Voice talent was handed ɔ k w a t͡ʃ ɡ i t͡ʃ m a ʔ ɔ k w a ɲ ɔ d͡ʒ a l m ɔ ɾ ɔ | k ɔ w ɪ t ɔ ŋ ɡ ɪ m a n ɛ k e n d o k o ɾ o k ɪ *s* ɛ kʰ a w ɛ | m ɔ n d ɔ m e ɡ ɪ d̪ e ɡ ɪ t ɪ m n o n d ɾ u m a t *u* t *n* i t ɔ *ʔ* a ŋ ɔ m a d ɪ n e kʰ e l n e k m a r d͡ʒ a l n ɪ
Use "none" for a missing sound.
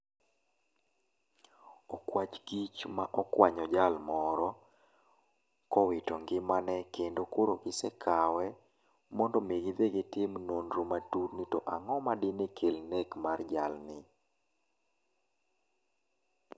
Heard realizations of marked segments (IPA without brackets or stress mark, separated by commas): s, u, n, ʔ